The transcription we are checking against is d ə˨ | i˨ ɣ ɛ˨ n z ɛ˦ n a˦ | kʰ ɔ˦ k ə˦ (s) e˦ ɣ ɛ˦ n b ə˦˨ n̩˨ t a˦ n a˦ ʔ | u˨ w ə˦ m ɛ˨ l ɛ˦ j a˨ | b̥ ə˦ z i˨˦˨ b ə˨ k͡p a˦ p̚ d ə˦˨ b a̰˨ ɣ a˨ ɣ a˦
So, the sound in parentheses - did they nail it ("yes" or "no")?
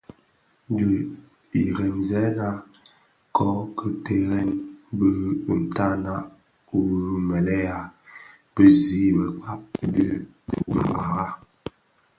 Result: no